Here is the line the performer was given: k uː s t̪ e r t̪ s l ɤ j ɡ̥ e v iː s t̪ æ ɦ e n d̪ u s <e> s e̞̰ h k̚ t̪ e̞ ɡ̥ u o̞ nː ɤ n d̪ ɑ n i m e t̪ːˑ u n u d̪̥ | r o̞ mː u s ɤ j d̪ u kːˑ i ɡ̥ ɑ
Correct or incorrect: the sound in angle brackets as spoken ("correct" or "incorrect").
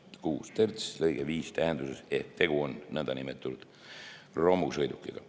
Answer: correct